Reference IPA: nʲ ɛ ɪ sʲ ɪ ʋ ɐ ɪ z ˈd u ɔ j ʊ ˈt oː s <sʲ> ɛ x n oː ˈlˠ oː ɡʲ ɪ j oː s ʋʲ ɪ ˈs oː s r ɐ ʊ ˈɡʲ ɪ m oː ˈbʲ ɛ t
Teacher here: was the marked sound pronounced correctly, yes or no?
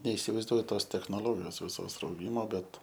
no